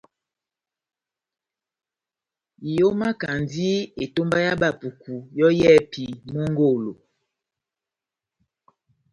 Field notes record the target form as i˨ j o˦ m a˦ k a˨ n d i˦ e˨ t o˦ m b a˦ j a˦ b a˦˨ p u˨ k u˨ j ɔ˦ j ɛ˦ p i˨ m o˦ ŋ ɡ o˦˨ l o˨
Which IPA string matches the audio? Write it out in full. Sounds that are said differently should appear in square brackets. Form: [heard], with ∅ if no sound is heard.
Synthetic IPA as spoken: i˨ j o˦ m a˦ k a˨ n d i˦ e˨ t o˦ m b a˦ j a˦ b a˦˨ p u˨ k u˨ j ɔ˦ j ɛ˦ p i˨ m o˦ ŋ ɡ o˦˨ l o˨